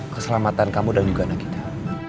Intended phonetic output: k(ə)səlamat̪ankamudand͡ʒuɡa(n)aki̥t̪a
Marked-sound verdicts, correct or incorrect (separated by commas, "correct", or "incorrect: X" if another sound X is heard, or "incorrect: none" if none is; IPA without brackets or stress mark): correct, correct